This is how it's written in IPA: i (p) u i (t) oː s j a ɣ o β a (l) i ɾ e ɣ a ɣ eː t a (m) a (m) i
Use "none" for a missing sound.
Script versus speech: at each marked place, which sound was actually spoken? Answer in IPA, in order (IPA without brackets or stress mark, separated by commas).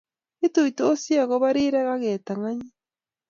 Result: t, t, ɾ, ŋ, ɲ